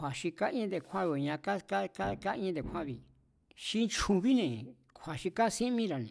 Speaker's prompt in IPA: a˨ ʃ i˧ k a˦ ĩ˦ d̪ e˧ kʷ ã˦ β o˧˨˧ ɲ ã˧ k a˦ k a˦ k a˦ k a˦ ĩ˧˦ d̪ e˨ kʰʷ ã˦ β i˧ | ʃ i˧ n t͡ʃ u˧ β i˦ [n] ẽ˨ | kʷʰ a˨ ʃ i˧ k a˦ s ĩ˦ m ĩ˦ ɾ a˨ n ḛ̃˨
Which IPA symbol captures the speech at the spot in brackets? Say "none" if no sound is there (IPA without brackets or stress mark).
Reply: n